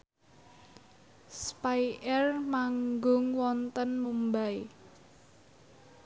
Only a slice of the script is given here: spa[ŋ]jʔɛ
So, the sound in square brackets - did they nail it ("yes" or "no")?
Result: no